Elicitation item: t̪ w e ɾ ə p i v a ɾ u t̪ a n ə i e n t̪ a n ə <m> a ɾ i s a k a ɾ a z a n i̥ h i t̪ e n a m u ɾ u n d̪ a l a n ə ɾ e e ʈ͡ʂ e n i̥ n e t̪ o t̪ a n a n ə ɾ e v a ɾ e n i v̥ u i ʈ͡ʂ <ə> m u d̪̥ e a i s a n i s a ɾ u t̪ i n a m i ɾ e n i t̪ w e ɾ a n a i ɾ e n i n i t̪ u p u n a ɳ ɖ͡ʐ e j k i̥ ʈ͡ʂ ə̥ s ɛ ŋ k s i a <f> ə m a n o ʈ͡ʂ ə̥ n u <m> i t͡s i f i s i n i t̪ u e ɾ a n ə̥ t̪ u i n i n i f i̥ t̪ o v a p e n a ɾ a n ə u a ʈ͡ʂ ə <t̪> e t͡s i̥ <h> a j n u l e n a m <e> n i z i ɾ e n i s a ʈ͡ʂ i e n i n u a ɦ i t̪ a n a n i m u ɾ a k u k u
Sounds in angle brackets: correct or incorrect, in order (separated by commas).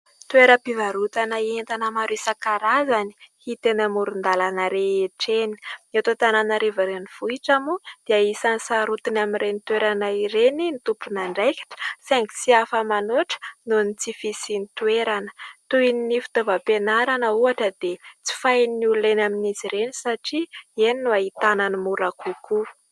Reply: correct, incorrect, correct, incorrect, incorrect, incorrect, incorrect